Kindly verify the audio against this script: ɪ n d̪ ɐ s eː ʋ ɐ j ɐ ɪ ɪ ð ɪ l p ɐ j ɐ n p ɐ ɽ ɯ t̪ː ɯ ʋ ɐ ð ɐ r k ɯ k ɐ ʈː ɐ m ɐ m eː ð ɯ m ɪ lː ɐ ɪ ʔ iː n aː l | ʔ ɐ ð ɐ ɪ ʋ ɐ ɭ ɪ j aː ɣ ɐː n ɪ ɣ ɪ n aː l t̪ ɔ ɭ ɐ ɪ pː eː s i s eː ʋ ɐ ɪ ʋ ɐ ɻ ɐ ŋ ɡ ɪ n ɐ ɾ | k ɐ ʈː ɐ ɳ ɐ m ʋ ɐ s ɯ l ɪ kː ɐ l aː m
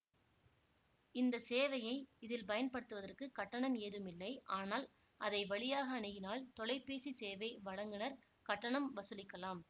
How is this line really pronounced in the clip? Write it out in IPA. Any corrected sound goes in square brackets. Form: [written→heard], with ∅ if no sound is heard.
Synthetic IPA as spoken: ɪ n d̪ ɐ s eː ʋ ɐ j ɐ ɪ ɪ ð ɪ l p ɐ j ɐ n p ɐ ɽ ɯ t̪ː ɯ ʋ ɐ ð ɐ r k ɯ k ɐ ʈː ɐ [m→ɳ] ɐ m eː ð ɯ m ɪ lː ɐ ɪ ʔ [iː→aː] n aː l | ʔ ɐ ð ɐ ɪ ʋ ɐ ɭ ɪ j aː ɣ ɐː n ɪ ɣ ɪ n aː l t̪ ɔ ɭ ɐ ɪ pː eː s i s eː ʋ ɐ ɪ ʋ ɐ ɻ ɐ ŋ ɡ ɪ n ɐ ɾ | k ɐ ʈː ɐ ɳ ɐ m ʋ ɐ s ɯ l ɪ kː ɐ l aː m